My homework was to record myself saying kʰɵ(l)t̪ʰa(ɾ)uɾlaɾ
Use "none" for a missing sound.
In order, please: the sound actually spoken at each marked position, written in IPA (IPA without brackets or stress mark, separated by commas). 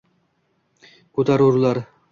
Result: none, ɾ